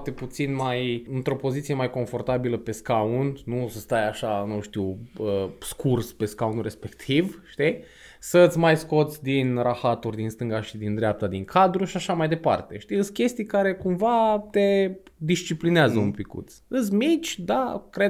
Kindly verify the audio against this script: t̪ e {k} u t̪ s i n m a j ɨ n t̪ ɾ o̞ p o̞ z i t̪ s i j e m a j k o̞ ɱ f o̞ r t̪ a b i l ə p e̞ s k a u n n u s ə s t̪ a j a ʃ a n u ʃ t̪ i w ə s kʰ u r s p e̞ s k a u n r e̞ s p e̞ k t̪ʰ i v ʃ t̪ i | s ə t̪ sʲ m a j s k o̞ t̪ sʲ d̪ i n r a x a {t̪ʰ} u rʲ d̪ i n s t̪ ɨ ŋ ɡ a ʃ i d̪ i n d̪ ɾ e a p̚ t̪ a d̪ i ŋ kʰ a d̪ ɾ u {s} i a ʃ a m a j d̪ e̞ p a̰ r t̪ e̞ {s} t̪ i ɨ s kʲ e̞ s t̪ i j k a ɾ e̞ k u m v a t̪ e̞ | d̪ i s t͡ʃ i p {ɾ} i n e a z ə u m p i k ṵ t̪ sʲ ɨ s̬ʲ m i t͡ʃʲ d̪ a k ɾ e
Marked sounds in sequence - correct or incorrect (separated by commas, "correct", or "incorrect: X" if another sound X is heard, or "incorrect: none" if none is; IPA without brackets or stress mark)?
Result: incorrect: p, incorrect: t̪, incorrect: ʃ, incorrect: ʃ, incorrect: l